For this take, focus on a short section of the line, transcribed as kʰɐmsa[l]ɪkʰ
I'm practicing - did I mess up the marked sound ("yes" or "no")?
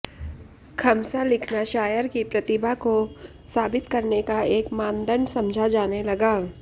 no